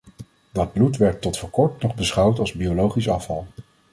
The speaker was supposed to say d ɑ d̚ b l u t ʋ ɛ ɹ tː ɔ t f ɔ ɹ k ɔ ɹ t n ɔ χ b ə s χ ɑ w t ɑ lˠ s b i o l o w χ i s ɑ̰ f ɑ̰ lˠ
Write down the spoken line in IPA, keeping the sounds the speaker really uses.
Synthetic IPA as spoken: d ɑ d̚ b l u t ʋ ɛ ɹ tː ɔ t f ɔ ɹ k ɔ ɹ t n ɔ χ b ə s χ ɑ w t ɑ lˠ z b i o l o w χ i s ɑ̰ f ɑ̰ lˠ